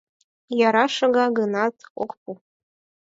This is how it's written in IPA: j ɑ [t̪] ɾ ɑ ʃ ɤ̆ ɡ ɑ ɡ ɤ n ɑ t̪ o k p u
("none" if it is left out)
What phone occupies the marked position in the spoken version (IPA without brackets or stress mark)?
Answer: none